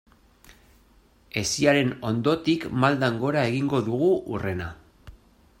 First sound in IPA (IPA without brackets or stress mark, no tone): e̞